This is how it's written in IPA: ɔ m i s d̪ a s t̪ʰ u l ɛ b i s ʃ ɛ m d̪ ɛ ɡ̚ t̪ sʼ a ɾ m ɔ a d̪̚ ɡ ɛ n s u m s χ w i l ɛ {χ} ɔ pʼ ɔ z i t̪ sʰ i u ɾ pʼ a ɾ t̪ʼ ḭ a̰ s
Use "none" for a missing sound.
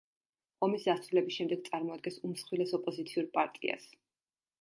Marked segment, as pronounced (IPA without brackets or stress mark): s